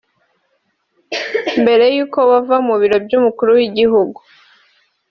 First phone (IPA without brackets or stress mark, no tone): m